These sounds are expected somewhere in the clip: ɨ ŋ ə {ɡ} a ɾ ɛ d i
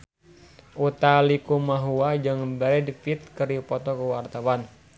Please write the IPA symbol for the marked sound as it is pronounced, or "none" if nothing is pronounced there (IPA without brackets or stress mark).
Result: b